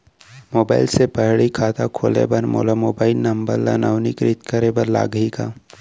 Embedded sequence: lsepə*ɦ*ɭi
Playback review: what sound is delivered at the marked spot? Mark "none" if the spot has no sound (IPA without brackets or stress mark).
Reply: ɦ